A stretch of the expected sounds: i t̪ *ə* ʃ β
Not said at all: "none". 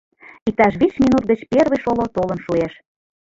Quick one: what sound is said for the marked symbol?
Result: ɑ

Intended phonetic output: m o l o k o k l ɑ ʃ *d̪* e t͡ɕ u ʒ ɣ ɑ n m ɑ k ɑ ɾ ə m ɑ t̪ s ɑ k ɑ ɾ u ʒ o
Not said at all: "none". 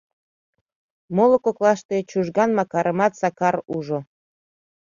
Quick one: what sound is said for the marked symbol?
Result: t̪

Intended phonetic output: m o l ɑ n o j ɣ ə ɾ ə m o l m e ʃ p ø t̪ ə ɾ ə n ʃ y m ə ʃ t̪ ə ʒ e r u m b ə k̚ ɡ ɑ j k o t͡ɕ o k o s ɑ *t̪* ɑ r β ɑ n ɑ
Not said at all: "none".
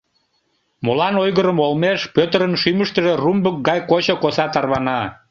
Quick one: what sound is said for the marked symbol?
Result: t̪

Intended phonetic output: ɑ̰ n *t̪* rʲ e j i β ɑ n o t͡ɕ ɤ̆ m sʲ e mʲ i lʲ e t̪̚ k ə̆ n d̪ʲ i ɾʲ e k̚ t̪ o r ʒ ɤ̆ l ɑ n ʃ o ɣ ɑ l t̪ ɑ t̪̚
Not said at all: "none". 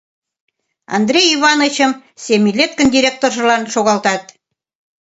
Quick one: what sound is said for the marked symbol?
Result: d̪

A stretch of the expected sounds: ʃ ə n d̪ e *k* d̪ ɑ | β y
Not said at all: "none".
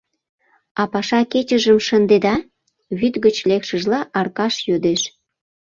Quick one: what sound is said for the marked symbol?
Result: none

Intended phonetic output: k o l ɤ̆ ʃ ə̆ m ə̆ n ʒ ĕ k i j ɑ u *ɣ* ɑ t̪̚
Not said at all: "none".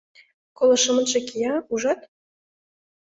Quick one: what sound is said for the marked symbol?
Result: ʒ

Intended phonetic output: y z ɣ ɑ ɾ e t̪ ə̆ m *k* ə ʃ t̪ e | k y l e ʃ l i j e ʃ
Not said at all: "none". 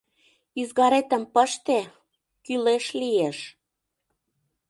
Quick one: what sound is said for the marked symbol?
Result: p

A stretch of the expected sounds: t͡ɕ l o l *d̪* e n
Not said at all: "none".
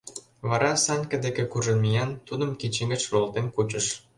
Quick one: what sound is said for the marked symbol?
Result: t̪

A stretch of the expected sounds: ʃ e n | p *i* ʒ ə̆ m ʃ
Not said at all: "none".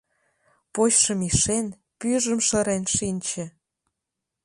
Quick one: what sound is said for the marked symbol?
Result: y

